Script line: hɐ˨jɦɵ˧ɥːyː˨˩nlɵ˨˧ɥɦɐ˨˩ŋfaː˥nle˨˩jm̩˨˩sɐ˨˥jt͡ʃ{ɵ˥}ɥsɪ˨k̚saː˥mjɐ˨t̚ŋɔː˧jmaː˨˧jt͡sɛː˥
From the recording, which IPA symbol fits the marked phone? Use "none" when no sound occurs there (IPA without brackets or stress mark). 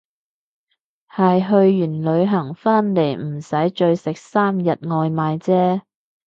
ɵ˧